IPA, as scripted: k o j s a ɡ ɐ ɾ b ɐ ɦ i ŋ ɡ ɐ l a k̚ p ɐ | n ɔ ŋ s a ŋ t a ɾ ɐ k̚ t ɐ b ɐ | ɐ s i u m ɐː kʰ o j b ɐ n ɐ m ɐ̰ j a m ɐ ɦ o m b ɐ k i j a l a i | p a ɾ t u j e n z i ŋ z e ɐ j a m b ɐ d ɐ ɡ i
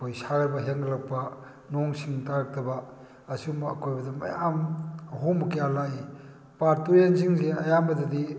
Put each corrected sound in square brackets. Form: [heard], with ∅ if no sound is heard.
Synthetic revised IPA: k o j s a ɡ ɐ ɾ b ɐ ɦ [e] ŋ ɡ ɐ l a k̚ p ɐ | n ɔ ŋ s [i] ŋ t a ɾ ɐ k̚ t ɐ b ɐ | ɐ s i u m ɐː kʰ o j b ɐ [d] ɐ m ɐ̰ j a m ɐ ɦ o m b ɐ k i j a l a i | p a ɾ t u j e n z i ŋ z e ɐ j a m b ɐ d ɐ [d] i

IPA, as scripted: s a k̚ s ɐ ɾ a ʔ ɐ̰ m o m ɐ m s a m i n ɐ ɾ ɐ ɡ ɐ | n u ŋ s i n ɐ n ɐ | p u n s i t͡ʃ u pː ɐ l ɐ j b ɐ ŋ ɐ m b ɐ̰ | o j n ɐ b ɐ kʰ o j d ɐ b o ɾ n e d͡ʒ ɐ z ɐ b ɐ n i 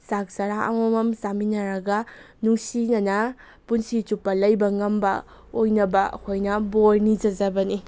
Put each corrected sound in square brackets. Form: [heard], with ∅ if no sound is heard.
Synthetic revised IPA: s a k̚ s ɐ ɾ a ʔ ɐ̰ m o m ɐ m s a m i n ɐ ɾ ɐ ɡ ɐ | n u ŋ s i n ɐ n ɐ | p u n s i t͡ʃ u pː ɐ l ɐ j b ɐ ŋ ɐ m b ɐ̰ | o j n ɐ b ɐ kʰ o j [n] ɐ b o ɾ n [i] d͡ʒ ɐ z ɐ b ɐ n i

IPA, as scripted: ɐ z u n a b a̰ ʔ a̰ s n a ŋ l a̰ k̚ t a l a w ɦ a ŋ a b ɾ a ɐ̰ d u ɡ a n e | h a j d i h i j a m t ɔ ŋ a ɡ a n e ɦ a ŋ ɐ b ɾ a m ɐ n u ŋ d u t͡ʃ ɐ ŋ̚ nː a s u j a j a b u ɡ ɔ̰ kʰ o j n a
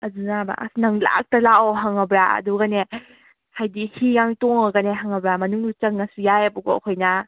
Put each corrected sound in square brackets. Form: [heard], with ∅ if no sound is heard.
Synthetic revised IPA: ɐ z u n a b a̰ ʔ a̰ s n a ŋ l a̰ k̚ t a l a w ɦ a ŋ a b ɾ a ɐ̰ d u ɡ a n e | h a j d i h i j a [ŋ] t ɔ ŋ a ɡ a n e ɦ a ŋ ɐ b ɾ a m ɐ n u ŋ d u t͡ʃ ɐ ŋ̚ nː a s u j a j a b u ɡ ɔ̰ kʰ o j n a

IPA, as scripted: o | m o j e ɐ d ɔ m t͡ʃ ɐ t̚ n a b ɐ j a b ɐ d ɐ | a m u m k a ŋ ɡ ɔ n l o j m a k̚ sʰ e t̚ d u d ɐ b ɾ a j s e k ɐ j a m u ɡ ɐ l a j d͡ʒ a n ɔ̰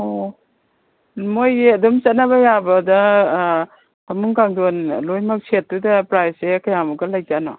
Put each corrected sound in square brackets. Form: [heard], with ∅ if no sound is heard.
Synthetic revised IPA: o | m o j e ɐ d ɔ m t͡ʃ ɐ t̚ n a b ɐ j a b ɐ d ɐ | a m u [ŋ] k a ŋ [d] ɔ n l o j m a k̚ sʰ e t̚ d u d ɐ [p] ɾ a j s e k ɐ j a m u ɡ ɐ l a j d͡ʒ a n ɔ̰

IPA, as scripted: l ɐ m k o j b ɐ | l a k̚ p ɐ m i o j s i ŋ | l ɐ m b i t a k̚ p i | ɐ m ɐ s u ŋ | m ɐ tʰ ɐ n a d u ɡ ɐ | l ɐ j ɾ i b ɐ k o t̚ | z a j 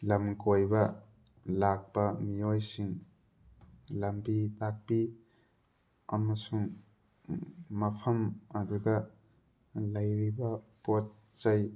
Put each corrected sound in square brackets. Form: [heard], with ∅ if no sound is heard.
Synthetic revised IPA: l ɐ m k o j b ɐ | l a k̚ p ɐ m i o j s i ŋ | l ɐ m b i t a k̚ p i | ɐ m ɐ s u ŋ | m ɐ [pʰ] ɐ [m] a d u ɡ ɐ | l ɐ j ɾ i b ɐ [p] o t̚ | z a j

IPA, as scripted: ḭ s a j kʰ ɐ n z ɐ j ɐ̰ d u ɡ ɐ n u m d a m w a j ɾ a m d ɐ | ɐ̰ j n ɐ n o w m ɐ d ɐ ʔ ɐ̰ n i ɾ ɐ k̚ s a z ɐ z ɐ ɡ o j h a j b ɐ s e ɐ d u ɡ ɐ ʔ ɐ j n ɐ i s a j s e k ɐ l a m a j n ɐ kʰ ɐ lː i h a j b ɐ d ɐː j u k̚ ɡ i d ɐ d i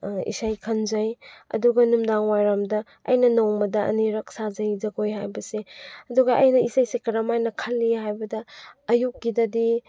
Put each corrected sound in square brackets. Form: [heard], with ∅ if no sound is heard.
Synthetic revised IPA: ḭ s a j kʰ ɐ n z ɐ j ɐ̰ d u ɡ ɐ n u m d a [ŋ] w a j ɾ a m d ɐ | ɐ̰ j n ɐ n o w m ɐ d ɐ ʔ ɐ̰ n i ɾ ɐ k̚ s a z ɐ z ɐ ɡ o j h a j b ɐ s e ɐ d u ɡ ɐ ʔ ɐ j n ɐ i s a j s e k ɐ [ɾ] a m a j n ɐ kʰ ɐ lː i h a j b ɐ d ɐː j u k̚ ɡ i d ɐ d i

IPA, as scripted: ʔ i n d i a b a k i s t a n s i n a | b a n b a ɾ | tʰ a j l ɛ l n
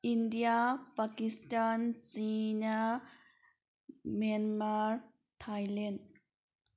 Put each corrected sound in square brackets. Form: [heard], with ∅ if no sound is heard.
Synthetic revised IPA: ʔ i n d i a [p] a k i s t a n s i n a | [m] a n [m] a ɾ | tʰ a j l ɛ [∅] n

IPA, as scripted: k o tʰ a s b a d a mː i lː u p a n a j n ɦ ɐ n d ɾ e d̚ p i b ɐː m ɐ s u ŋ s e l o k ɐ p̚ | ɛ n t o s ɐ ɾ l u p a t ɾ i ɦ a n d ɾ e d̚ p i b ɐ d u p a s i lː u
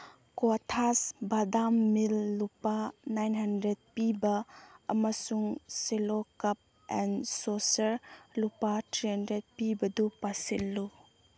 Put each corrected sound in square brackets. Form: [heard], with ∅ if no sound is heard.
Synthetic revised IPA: k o tʰ a s b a d a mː i lː u p a n a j n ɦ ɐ n d ɾ e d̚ p i b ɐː m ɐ s u ŋ s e l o k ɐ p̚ | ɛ n [s] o s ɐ ɾ l u p a t ɾ i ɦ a n d ɾ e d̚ p i b ɐ d u p a s i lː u

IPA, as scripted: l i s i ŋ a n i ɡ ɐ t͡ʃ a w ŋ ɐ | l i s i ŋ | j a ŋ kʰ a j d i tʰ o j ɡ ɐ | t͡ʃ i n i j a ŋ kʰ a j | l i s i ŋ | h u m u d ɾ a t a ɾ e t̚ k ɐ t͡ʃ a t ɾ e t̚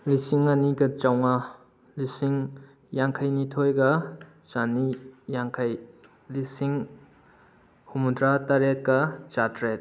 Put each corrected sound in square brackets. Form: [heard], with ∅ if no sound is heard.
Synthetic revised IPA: l i s i ŋ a n i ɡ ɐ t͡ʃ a w ŋ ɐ | l i s i ŋ | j a ŋ kʰ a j [n] i tʰ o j ɡ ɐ | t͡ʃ [a] n i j a ŋ kʰ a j | l i s i ŋ | h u m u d ɾ a t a ɾ e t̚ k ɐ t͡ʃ a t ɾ e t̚

